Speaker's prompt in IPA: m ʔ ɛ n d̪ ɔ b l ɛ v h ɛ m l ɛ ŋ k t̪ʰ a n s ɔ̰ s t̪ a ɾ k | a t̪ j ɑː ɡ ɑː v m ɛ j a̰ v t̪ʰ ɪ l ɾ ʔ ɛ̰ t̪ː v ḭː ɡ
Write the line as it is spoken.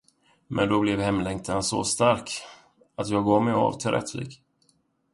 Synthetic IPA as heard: m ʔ ɛ n d̪ ɔ b l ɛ v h ɛ m l ɛ ŋ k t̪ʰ a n s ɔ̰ s t̪ a ɾ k | a t̪ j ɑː ɡ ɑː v m ɛ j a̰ v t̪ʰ ɪ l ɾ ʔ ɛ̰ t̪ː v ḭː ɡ

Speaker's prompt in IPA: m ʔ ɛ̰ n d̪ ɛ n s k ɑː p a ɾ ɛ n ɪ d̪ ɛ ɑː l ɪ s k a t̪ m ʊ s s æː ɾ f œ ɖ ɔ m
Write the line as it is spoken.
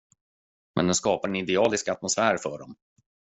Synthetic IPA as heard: m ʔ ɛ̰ n d̪ ɛ n s k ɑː p a ɾ ɛ n ɪ d̪ ɛ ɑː l ɪ s k a t̪ m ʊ s f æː ɾ f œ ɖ ɔ m

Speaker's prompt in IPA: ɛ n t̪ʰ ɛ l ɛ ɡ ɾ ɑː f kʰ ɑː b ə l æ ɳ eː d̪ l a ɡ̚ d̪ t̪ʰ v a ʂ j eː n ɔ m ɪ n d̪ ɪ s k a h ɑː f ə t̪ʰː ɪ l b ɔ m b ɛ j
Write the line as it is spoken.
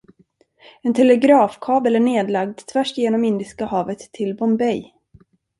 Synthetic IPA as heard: ɛ n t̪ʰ ɛ l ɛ ɡ ɾ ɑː f kʰ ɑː b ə l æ ɳ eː d̪ l a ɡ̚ d̪ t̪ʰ v æ ʂ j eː n ɔ m ɪ n d̪ ɪ s k a h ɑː v ə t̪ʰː ɪ l b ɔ m b ɛ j

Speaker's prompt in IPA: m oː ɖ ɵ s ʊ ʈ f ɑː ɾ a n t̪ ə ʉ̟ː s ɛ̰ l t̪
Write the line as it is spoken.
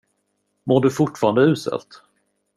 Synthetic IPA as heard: m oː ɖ ɵ f ʊ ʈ f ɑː ɾ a n d̪ ə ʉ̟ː s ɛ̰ l t̪

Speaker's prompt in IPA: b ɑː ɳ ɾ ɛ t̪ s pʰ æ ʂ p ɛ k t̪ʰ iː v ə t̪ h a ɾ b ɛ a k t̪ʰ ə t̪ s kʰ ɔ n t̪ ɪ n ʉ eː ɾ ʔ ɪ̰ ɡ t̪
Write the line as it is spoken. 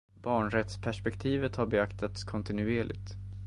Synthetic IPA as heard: b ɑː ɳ ɾ ɛ t̪ s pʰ æ ʂ p ɛ k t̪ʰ iː v ə t̪ h a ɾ b ɛ a k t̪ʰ a t̪ s kʰ ɔ n t̪ ɪ n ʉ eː ɭ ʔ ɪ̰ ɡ t̪

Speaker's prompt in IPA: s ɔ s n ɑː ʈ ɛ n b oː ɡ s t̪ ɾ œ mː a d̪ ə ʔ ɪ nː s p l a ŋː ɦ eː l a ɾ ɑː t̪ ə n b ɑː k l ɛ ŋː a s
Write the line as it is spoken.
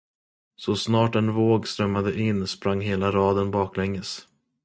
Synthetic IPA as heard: s ɔ s n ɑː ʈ ɛ n v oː ɡ s t̪ ɾ œ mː a d̪ ə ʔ ɪ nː s p ɾ a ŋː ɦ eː l a ɾ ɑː d̪ ə n b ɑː k l ɛ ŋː ə s

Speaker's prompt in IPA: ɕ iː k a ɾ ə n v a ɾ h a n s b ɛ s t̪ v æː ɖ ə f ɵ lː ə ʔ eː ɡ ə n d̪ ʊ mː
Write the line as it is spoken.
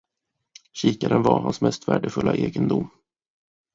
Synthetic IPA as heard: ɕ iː k a ɾ ə n v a ɾ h a n s m ɛ s t̪ v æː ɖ ə f ɵ lː a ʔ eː ɡ ə n d̪ ʊ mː

